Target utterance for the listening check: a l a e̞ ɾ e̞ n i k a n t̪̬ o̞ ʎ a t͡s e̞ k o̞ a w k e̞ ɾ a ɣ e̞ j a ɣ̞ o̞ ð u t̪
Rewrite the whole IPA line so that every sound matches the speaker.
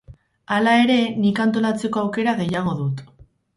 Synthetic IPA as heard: a l a e̞ ɾ e̞ n i k a n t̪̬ o̞ l a t͡s e̞ k o̞ a w k e̞ ɾ a ɣ e̞ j a ɣ̞ o̞ ð u t̪